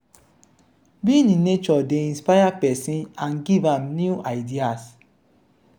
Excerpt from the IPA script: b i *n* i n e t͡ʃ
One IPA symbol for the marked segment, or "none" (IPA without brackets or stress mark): n